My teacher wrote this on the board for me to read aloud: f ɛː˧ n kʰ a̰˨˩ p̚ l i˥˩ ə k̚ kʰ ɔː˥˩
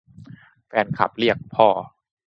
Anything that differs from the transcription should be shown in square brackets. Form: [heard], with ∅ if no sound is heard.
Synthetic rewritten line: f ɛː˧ n kʰ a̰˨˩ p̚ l i˥˩ ə k̚ [pʰ] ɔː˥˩